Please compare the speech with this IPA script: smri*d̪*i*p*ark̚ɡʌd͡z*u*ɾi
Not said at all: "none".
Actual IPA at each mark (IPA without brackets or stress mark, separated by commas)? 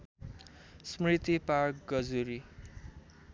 t̪, p, u